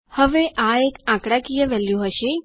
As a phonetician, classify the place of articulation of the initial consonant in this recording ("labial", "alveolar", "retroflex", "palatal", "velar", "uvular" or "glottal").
glottal